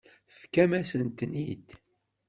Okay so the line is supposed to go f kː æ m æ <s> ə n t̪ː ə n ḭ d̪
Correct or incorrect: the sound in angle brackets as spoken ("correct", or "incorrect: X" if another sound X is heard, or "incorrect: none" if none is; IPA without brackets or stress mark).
correct